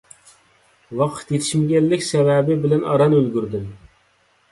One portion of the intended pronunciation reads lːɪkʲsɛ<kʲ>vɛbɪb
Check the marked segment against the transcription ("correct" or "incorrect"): incorrect